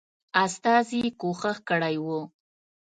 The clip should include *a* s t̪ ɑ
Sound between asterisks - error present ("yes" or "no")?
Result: no